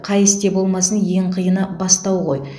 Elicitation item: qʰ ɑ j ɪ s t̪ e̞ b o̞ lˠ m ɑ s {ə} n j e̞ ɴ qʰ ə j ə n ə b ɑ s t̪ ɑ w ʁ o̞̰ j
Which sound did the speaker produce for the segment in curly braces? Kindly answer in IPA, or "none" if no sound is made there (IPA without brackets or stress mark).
ə